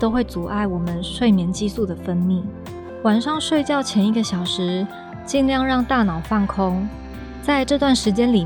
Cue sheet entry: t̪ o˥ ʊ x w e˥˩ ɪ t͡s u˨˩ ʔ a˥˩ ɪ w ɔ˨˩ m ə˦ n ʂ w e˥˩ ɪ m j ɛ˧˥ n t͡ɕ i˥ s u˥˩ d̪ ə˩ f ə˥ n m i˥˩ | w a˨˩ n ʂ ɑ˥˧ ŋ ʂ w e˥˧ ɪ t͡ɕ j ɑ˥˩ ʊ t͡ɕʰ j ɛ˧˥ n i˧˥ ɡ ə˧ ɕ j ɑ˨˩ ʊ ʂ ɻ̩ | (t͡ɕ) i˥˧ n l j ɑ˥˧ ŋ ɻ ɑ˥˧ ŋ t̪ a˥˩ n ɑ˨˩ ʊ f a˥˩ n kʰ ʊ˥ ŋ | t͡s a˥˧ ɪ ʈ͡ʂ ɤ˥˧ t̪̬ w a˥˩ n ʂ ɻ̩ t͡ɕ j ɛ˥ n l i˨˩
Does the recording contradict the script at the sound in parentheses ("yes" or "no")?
no